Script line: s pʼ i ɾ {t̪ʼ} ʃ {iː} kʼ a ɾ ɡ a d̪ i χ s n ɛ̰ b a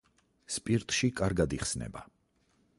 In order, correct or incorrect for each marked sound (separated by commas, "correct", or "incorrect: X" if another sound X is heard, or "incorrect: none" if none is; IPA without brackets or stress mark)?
correct, incorrect: i